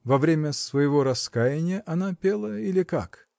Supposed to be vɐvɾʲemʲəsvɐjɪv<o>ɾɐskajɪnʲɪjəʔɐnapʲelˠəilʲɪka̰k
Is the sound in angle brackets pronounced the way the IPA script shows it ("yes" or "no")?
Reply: yes